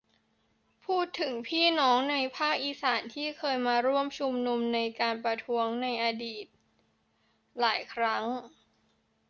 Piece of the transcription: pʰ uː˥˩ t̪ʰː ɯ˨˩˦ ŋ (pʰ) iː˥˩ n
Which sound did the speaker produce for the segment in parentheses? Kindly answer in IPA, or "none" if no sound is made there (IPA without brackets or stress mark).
pʰ